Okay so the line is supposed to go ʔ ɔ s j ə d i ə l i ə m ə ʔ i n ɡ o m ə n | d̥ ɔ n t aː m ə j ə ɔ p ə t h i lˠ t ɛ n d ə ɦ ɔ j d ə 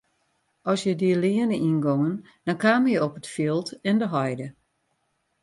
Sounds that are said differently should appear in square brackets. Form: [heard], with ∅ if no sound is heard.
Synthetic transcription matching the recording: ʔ ɔ s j ə d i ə l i ə [n] ə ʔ i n ɡ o [ŋ] ə n | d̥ ɔ n [k] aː m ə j ə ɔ p ə t [f] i lˠ t ɛ n d ə ɦ ɔ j d ə